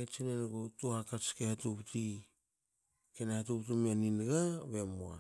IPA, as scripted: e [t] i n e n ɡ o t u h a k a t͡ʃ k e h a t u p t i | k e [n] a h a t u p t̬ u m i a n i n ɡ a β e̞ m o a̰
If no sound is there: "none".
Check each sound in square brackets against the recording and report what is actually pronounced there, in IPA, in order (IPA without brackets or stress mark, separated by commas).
t͡ʃ, n